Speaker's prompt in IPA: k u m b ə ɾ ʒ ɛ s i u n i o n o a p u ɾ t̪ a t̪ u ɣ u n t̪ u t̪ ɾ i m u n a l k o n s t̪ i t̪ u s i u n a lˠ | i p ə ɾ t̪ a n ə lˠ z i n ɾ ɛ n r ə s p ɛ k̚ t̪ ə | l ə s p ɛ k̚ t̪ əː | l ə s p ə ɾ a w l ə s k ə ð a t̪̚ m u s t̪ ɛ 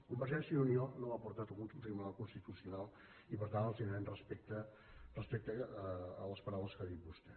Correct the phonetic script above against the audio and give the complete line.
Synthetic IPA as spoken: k u m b ə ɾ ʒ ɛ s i u n i o n o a p u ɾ t̪ a t̪ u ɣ u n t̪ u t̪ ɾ i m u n a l k u n s t̪ i t̪ u s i u n a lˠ | i p ə ɾ t̪ a n ə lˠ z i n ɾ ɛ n r ə s p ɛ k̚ t̪ ə | r ə s p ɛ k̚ t̪ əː | l ə s p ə ɾ a w l ə s k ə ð i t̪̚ b u s t̪ ɛ

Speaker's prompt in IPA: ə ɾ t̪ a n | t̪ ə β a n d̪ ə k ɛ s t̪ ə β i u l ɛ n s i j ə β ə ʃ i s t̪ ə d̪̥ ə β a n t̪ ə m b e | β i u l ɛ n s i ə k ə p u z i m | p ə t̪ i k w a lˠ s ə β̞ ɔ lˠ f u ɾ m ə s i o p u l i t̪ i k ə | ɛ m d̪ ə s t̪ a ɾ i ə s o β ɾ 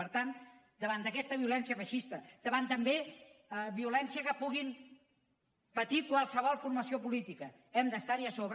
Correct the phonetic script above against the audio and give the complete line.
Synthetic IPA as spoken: ə ɾ t̪ a n | d̪ ə β a n d̪ ə k ɛ s t̪ ə β i u l ɛ n s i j ə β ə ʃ i s t̪ ə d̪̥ ə β a n t̪ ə m b e | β i u l ɛ n s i ə k ə p u ɣ i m | p ə t̪ i k w a lˠ s ə β̞ ɔ lˠ f u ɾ m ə s i o p u l i t̪ i k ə | ɛ m d̪ ə s t̪ a ɾ i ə s o β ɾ

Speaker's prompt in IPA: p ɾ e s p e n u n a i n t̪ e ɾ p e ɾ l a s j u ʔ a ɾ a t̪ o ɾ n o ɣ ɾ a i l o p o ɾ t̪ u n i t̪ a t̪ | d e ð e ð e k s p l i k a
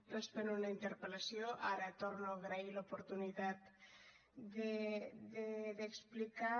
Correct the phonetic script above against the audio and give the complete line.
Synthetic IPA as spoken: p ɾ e s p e n u n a i n t̪ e ɾ p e l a s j o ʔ a ɾ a t̪ o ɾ n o ɣ ɾ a i l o p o ɾ t̪ u n i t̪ a t̪ | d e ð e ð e k s p l i k a

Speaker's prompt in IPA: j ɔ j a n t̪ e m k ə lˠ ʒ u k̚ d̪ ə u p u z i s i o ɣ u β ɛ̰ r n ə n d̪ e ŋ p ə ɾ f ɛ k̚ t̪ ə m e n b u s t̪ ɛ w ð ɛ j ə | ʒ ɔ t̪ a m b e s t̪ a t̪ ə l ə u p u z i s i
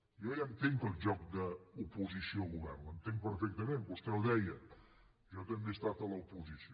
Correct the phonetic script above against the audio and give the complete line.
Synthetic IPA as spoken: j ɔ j a n t̪ e ŋ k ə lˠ ʒ ɔ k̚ d̪ ə u p u z i s i o ɣ u β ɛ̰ r n ə n t̪ e ŋ p ə ɾ f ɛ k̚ t̪ ə m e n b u s t̪ ɛ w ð ɛ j ə | ʒ ɔ t̪ ə m b e s t̪ a t̪ ə l ə u p u z i s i

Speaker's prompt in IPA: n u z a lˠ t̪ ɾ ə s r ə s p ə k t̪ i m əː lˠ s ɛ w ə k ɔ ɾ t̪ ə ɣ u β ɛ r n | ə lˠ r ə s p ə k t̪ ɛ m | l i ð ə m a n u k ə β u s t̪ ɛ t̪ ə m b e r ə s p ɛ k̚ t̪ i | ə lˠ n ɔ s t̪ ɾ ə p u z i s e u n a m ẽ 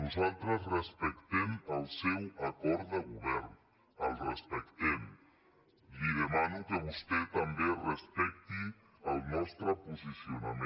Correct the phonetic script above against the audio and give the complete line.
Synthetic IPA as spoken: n u z a lˠ t̪ ɾ ə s r ə s p ə k t̪ ɛ m ə lˠ s ɛ w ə k ɔ ɾ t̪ ə ɣ u β ɛ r n | ə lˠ r ə s p ə k t̪ ɛ m | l i ð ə m a n u k ə β u s t̪ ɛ t̪ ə m b e r ə s p ɛ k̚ t̪ i | ə lˠ n ɔ s t̪ ɾ ə p u z i s i u n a m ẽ

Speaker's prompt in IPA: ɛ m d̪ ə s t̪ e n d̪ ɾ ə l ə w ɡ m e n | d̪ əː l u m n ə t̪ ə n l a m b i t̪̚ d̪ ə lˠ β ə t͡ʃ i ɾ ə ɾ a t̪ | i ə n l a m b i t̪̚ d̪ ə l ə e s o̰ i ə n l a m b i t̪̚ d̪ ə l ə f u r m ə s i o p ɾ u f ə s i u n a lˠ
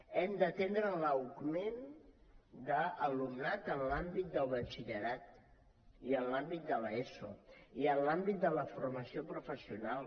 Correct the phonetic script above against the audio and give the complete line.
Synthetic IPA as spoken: ɛ m d̪ ə t̪ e n d̪ ɾ ə l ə w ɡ m e n | d̪ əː l u m n a t̪ ə n l a m b i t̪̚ d̪ ə lˠ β ə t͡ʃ i ʎ ə ɾ a t̪ | i ə n l a m b i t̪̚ d̪ ə l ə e s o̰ i ə n l a m b i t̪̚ d̪ ə l ə f u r m ə s i o p ɾ u f ə s i u n a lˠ

